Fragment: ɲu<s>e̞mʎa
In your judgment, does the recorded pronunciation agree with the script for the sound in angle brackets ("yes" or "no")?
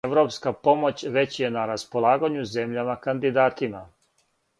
no